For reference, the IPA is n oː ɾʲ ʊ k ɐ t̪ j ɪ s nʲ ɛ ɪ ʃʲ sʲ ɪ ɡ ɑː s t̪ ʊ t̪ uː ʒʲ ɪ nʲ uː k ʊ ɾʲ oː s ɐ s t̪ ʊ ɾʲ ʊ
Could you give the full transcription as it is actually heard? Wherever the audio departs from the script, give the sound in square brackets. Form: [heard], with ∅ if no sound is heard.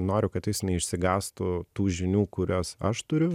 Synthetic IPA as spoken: n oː ɾʲ ʊ k ɐ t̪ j ɪ s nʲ ɛ ɪ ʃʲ sʲ ɪ ɡ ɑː s t̪ ʊ t̪ uː ʒʲ ɪ nʲ uː k ʊ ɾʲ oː s ɐ [ʃ] t̪ ʊ ɾʲ ʊ